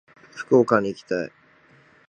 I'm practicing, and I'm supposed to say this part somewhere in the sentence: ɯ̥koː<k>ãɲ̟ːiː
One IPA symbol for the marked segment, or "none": k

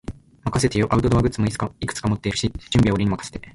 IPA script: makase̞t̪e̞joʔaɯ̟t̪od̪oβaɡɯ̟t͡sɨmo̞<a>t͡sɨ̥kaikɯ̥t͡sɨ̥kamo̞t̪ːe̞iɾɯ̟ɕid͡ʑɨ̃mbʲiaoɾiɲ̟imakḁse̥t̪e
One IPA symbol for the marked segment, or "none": i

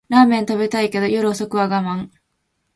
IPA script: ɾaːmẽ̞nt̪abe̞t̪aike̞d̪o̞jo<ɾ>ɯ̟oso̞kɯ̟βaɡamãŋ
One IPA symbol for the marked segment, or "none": ɾ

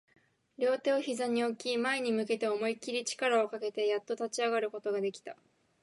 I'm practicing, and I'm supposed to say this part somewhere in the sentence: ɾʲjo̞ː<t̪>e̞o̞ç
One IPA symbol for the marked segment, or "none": t̪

